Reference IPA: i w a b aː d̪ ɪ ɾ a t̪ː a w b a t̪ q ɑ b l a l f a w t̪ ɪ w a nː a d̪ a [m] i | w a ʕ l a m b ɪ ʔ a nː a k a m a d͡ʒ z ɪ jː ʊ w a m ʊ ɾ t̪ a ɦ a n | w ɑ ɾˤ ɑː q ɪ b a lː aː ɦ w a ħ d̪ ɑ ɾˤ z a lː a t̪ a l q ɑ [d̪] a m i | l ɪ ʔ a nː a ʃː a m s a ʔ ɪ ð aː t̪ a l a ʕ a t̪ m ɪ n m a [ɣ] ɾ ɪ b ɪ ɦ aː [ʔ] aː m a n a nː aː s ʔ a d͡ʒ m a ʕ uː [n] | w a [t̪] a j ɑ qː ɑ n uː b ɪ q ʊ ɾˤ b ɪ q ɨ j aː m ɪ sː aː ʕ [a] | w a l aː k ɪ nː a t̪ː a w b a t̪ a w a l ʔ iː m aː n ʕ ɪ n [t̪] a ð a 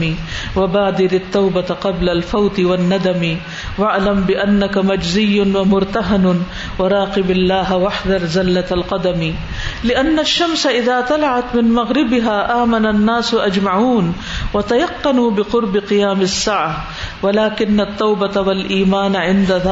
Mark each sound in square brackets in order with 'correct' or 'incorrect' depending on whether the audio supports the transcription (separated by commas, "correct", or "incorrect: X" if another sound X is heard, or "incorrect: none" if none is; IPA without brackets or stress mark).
correct, correct, correct, correct, correct, correct, correct, incorrect: d̪